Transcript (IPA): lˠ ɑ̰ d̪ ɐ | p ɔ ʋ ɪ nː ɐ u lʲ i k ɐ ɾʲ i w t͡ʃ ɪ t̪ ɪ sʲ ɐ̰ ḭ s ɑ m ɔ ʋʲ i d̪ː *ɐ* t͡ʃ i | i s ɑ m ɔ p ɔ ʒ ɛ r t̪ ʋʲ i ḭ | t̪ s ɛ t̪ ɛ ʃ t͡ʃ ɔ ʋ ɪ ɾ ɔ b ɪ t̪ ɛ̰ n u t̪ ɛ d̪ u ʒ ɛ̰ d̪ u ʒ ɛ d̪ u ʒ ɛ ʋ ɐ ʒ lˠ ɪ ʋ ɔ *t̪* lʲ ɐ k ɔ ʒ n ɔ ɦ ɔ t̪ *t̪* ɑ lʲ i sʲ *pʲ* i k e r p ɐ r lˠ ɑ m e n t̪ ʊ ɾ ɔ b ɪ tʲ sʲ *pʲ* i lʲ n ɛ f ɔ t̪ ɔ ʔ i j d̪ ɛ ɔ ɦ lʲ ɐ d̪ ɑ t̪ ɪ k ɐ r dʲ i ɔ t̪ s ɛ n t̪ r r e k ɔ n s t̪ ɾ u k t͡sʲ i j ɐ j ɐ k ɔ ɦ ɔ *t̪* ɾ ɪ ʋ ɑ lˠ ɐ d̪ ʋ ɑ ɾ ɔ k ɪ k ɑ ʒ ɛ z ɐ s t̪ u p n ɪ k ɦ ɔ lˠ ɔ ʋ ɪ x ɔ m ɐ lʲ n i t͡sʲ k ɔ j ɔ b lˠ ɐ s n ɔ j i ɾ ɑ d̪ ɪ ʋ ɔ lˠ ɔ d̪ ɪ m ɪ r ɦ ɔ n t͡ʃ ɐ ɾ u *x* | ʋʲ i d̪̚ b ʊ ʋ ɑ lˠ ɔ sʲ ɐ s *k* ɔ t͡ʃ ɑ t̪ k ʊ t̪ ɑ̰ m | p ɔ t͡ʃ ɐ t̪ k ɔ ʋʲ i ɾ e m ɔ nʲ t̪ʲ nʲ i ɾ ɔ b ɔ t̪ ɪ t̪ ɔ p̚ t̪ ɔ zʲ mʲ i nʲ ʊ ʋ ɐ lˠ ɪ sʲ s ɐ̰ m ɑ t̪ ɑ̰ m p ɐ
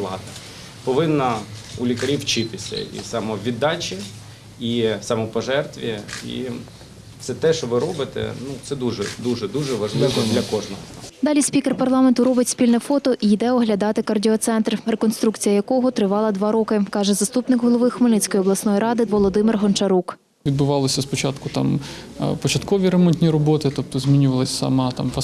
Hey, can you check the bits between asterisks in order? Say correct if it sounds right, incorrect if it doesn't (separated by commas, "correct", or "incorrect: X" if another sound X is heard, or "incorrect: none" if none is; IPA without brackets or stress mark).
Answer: incorrect: ɑ, incorrect: d̪, incorrect: d̪, correct, correct, correct, incorrect: k, incorrect: p